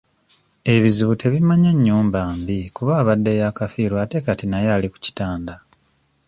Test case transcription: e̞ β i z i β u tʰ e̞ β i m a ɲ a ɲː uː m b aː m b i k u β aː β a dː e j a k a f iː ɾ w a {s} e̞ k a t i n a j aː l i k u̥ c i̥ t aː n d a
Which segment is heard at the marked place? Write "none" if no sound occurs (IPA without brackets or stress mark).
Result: t